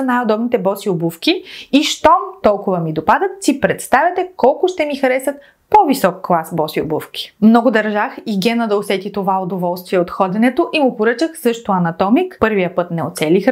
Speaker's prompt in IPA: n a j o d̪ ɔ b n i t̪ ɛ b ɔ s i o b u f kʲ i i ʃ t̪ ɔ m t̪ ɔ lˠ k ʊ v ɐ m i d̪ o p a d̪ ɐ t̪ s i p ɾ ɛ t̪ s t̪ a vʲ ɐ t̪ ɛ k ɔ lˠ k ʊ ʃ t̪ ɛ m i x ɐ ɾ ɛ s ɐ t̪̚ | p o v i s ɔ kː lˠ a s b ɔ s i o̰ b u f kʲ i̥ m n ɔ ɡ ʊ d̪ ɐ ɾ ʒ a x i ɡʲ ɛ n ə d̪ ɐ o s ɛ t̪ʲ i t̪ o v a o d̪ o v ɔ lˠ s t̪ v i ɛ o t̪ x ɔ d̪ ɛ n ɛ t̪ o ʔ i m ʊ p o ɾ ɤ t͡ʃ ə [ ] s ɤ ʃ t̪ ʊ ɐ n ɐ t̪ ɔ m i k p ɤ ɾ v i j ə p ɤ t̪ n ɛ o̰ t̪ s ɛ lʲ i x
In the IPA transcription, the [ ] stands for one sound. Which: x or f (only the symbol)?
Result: x